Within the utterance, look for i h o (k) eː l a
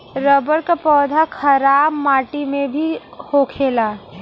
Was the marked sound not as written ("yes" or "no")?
yes